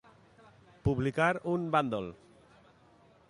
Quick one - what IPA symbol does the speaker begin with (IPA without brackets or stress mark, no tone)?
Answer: p